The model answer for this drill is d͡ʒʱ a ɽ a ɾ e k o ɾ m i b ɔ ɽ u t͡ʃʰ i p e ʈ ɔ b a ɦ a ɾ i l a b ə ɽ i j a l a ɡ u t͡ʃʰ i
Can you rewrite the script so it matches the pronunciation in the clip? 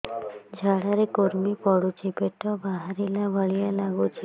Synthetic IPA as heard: d͡ʒʱ a ɽ a ɾ e k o ɾ m i p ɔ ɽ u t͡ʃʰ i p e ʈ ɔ b a ɦ a ɾ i l a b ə ɭ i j a l a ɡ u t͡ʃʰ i